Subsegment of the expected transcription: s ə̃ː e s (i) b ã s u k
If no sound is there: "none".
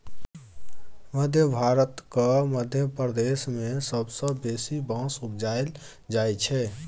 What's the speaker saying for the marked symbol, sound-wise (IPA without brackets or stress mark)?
i